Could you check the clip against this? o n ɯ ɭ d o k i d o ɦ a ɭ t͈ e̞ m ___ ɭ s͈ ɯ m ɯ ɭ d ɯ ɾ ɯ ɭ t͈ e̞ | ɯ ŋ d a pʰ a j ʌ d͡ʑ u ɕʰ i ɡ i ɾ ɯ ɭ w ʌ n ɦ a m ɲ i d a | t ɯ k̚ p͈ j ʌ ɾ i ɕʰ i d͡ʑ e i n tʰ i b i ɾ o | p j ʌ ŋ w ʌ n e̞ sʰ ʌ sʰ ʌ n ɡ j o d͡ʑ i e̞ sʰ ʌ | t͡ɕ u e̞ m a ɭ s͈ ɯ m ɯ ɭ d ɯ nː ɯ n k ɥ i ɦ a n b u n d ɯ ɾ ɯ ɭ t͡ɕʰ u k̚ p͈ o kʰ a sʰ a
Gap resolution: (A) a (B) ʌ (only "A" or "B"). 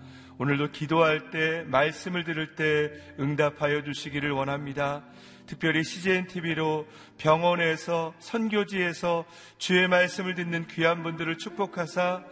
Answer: A